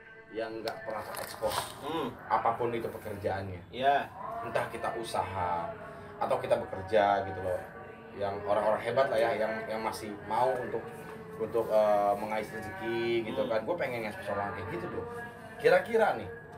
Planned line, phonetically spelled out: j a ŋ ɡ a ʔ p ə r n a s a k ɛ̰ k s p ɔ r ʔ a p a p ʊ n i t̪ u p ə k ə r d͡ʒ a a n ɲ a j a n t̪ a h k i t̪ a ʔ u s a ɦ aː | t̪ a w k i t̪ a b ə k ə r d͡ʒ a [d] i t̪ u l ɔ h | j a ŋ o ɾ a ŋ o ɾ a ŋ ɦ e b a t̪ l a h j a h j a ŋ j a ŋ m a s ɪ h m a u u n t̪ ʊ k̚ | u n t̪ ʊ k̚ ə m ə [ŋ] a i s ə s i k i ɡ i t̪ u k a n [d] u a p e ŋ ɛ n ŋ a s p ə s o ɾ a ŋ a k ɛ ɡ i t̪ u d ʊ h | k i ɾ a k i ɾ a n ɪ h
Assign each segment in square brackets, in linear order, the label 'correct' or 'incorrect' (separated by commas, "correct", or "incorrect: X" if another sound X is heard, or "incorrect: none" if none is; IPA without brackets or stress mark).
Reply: incorrect: ɡ, correct, incorrect: ɡ